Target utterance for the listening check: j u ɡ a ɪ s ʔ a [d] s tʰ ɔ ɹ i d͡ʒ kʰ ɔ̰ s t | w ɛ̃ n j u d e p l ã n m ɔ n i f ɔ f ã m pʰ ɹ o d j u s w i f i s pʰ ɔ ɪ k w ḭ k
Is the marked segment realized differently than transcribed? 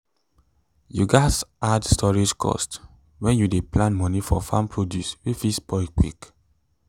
no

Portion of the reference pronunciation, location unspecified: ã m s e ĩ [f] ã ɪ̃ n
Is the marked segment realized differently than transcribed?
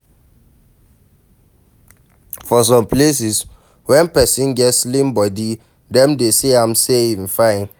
no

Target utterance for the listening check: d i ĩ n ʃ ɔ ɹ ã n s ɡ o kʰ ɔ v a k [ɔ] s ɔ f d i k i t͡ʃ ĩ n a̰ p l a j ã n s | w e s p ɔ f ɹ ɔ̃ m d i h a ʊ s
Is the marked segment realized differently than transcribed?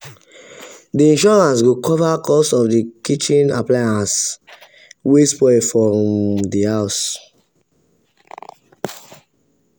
no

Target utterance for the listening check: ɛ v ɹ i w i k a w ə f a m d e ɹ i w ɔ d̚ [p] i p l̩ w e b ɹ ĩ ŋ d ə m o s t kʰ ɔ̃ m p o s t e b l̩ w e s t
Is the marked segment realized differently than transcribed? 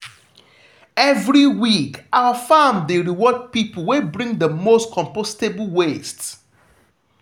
no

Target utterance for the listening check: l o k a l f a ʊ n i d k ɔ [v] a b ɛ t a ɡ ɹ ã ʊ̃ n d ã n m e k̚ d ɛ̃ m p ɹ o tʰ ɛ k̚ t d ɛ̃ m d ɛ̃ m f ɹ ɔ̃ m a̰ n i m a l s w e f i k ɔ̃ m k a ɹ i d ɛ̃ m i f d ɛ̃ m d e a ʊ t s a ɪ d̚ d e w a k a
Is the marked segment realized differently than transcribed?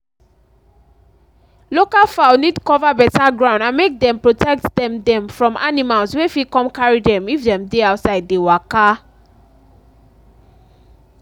no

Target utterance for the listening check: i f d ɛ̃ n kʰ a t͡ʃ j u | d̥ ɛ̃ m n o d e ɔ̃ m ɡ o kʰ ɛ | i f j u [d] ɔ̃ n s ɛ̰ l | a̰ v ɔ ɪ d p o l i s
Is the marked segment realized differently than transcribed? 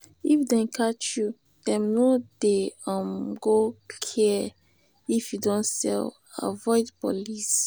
no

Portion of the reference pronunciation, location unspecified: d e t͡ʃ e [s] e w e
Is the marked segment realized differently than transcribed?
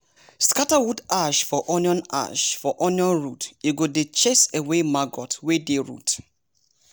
no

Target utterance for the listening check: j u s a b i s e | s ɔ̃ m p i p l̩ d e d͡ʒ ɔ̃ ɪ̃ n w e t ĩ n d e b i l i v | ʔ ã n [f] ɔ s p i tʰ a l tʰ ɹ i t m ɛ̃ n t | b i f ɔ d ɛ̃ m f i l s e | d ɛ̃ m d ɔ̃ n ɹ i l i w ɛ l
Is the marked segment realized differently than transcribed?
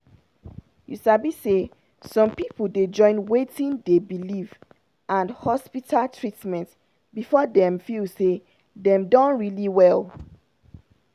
yes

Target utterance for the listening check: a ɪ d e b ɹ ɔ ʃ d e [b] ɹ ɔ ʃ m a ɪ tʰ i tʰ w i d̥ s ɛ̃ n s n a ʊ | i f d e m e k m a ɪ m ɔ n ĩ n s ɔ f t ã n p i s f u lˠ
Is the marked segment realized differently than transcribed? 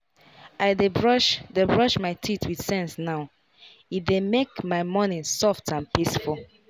no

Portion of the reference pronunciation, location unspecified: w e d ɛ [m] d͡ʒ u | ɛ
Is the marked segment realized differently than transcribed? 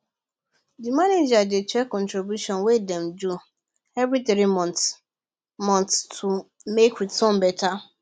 no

